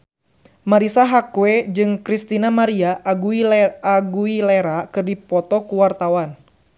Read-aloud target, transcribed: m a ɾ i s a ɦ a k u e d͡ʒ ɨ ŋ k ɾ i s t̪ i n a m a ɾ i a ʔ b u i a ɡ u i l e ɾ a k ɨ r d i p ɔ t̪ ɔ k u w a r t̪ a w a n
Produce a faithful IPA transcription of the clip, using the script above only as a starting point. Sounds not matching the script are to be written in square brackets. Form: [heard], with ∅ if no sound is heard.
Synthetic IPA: m a ɾ i s a ɦ a k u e d͡ʒ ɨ ŋ k ɾ i s t̪ i n a m a ɾ i a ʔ [ɡ] u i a ɡ u i l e ɾ a k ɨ r d i p ɔ t̪ ɔ k u w a r t̪ a w a n